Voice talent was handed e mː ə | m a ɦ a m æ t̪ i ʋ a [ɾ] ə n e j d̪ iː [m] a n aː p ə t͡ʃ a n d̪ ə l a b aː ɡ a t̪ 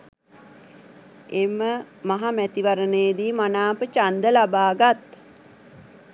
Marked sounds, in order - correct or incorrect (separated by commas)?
correct, correct